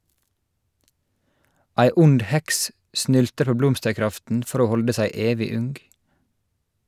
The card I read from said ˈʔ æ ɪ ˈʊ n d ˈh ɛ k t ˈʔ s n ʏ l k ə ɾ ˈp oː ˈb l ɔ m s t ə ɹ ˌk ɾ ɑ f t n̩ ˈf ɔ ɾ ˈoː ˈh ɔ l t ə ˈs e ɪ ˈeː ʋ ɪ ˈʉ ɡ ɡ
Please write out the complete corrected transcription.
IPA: ˈʔ æ ɪ ˈʊ n d ˈh ɛ k s ˈʔ s n ʏ l t ə ɾ ˈp oː ˈb l ɔ m s t ə ɹ ˌk ɾ ɑ f t n̩ ˈf ɔ ɾ ˈoː ˈh ɔ l d ə ˈs æ ɪ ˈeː ʋ ɪ ˈʉ ŋ ɡ